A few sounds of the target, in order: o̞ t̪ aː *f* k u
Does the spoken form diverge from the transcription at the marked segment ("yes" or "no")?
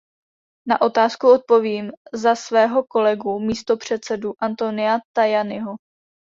yes